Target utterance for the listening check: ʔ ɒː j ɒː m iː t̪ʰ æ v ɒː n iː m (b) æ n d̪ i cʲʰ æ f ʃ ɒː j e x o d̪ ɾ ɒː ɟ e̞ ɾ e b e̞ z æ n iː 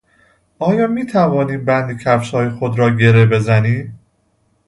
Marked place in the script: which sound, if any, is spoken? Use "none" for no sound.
b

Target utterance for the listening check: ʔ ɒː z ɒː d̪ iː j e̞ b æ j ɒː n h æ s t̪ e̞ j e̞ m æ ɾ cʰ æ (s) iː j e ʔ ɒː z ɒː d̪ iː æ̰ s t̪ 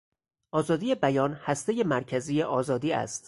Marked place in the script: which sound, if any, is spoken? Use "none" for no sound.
z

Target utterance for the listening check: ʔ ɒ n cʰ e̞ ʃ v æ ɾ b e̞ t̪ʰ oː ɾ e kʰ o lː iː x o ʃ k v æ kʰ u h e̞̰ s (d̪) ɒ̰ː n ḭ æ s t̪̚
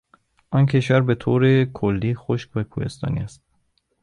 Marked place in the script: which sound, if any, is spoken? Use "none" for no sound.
t̪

